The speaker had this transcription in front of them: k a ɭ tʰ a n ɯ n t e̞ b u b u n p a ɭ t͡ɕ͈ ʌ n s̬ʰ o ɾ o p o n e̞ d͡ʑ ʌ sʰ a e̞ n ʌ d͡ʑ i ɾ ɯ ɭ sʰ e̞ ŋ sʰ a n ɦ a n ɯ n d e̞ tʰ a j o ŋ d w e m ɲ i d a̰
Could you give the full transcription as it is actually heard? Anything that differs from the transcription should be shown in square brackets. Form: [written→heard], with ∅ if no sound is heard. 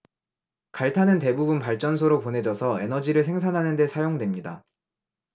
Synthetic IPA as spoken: k a ɭ tʰ a n ɯ n t e̞ b u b u n p a ɭ t͡ɕ͈ ʌ n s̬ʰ o ɾ o p o n e̞ d͡ʑ ʌ sʰ [a→ʌ] e̞ n ʌ d͡ʑ i ɾ ɯ ɭ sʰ e̞ ŋ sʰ a n ɦ a n ɯ n d e̞ [tʰ→sʰ] a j o ŋ d w e m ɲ i d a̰